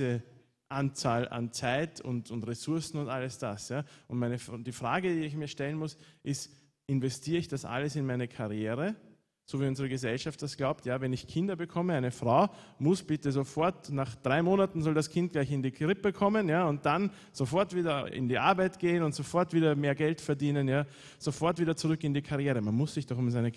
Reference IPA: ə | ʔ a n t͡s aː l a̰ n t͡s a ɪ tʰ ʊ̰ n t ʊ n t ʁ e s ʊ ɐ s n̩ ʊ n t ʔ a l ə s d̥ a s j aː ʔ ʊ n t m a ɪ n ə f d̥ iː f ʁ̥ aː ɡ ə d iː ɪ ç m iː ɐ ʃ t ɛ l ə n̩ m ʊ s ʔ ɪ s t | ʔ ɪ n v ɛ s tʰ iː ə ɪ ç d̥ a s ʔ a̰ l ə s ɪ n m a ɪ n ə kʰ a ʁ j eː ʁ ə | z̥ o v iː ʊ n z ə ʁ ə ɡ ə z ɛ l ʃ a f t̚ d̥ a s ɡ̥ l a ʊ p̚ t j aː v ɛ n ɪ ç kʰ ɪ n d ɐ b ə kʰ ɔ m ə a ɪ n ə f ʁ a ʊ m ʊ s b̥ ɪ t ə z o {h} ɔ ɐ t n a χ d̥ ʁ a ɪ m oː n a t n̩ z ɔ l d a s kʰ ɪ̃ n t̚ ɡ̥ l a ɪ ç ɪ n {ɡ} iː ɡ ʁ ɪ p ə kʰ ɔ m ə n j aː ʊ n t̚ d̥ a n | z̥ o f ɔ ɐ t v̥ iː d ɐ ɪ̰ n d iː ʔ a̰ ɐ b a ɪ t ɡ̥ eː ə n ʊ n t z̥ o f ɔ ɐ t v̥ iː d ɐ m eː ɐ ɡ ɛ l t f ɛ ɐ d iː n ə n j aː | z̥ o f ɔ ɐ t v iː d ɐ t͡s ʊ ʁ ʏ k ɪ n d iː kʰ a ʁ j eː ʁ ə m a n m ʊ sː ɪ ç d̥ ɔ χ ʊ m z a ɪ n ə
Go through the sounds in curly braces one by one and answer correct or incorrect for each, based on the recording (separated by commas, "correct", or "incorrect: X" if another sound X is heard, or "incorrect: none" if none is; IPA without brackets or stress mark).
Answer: incorrect: f, incorrect: d